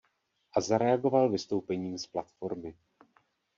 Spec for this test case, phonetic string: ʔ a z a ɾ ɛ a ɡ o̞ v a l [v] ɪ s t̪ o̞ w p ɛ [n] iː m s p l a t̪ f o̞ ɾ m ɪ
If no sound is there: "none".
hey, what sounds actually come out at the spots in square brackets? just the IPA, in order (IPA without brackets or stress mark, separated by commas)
v, ɲ